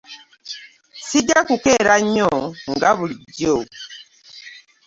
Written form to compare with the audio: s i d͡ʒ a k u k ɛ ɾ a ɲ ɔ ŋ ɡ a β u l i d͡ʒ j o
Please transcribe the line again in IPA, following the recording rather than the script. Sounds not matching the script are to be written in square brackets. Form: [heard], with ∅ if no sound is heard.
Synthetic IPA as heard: s i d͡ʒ a k u k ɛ ɾ a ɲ ɔ ŋ ɡ a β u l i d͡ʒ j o